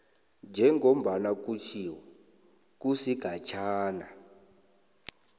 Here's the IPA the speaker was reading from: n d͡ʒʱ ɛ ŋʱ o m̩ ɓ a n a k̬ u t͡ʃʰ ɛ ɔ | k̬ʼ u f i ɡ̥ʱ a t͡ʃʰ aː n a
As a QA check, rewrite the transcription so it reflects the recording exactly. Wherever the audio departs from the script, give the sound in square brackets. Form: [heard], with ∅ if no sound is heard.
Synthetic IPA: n d͡ʒʱ ɛ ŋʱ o m̩ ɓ a n a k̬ u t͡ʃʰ [i] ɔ | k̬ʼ u [s] i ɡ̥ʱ a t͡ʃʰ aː n a